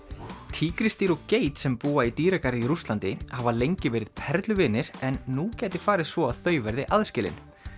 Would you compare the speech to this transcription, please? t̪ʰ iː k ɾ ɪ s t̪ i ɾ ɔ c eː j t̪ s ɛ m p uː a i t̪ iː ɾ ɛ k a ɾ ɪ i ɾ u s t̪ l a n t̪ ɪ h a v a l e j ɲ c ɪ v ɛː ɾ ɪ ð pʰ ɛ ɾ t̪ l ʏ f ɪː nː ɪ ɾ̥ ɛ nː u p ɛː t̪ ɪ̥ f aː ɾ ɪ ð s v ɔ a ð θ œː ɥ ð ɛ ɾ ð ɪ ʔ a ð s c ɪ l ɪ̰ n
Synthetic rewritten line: t̪ʰ iː k ɾ ɪ s t̪ i ɾ ɔ c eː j t̪ s ɛ m p uː a i t̪ iː ɾ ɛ k a ɾ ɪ i ɾ u s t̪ l a n t̪ ɪ h a v a l e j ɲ c ɪ v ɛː ɾ ɪ ð pʰ ɛ ɾ t̪ l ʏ v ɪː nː ɪ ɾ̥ ɛ nː u c ɛː t̪ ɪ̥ f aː ɾ ɪ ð s v ɔ a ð θ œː ɥ v ɛ ɾ ð ɪ ʔ a ð s c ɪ l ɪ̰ n